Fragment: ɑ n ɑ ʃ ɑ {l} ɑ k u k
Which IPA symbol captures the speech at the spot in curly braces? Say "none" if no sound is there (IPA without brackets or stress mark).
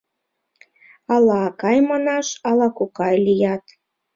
l